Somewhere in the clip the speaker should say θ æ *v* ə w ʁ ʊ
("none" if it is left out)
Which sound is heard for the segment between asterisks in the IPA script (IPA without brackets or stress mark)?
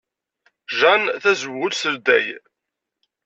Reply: z